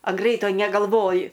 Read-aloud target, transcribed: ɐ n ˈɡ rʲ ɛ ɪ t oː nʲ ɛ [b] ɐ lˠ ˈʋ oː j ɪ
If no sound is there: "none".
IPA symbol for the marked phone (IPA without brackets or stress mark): ɡ